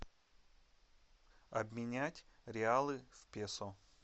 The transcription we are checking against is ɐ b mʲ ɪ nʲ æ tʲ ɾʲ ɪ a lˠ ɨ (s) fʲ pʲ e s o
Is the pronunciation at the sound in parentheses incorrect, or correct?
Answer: incorrect